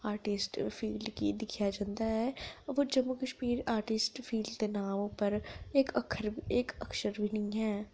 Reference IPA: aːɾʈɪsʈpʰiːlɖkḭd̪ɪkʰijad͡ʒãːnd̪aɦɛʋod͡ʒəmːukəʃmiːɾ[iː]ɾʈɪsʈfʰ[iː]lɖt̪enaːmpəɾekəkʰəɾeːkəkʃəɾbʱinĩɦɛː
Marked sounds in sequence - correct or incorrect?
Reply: incorrect: aː, correct

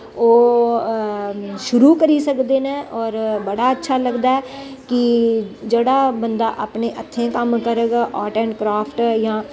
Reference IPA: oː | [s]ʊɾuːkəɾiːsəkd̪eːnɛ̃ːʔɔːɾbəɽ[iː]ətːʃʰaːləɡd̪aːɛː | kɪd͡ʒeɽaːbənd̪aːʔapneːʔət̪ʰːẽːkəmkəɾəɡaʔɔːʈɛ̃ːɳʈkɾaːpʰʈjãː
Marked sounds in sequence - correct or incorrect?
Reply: incorrect: ʃ, incorrect: aː

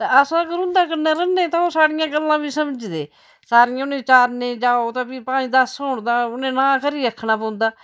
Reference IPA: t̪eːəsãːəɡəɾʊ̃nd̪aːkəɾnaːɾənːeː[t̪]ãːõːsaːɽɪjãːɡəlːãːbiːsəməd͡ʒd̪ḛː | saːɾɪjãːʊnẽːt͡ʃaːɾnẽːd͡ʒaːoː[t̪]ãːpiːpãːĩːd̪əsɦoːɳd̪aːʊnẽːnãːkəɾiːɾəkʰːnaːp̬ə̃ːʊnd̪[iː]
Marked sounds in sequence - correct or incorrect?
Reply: correct, correct, incorrect: aː

